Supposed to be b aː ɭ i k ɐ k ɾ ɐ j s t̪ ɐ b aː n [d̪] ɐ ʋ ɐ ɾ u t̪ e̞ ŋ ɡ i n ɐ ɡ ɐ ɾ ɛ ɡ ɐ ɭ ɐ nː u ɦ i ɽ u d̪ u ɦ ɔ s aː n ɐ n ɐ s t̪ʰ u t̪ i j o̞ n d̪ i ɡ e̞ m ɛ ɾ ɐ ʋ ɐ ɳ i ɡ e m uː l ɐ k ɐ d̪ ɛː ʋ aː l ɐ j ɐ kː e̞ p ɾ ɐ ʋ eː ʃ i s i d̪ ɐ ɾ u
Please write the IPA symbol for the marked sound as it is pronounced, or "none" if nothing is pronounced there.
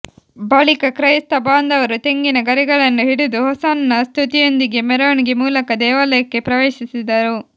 d̪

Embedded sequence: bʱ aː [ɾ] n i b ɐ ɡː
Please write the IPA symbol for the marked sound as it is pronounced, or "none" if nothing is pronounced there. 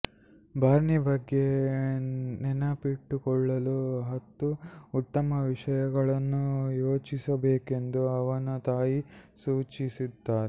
ɾ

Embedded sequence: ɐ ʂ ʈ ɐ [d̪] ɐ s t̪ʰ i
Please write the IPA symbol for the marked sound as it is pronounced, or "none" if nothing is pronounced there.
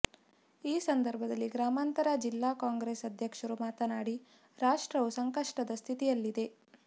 d̪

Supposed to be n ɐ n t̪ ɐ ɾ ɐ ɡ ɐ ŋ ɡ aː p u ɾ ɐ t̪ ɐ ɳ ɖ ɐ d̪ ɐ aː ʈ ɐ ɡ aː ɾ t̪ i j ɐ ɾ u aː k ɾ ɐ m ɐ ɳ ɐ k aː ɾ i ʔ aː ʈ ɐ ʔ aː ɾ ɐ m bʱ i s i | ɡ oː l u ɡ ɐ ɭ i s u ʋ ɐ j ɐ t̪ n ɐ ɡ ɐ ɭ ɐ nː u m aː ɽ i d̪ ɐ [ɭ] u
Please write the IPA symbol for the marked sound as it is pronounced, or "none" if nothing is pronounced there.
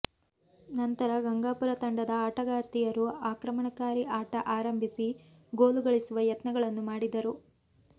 ɾ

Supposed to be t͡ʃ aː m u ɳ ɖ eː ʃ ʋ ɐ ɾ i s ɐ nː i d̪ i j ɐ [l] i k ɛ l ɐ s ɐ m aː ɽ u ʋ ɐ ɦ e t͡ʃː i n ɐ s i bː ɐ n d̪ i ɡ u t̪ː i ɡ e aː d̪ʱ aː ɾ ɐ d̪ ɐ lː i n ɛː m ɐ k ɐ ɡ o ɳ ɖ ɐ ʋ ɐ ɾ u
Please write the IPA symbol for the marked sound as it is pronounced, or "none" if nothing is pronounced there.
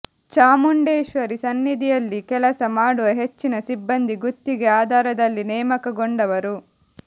lː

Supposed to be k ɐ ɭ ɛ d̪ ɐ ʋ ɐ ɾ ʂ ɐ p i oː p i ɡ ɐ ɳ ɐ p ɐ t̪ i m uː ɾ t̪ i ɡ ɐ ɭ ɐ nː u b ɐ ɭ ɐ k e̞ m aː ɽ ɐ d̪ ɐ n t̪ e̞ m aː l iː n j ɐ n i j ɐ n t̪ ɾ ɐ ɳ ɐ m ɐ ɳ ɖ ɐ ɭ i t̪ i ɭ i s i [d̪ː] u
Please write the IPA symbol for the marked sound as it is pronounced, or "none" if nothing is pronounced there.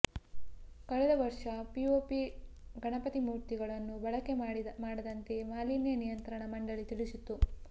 t̪ː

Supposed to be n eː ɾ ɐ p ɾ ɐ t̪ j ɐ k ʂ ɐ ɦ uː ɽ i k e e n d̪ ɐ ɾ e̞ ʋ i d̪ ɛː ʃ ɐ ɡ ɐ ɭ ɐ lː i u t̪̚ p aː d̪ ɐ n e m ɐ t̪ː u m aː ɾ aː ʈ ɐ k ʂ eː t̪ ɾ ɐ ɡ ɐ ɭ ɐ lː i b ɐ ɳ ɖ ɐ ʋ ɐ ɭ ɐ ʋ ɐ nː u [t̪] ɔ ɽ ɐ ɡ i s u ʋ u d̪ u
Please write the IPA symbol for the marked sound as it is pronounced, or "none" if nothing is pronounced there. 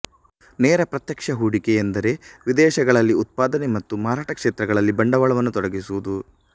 t̪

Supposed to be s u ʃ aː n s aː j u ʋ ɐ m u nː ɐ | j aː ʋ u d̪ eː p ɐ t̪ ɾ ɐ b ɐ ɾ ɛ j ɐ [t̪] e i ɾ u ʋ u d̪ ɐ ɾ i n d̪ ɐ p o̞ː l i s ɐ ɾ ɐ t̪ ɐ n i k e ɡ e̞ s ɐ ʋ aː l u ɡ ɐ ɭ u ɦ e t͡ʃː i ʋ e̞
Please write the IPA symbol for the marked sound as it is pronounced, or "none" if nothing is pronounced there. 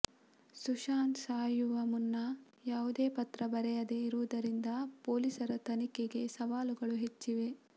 d̪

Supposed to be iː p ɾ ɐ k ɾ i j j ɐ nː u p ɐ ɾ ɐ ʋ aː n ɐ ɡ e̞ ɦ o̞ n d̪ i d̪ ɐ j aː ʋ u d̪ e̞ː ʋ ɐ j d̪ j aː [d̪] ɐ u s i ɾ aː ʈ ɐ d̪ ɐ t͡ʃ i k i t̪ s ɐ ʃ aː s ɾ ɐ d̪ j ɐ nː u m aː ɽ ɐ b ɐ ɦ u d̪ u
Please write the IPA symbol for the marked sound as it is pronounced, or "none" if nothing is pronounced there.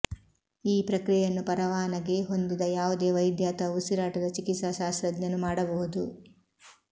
t̪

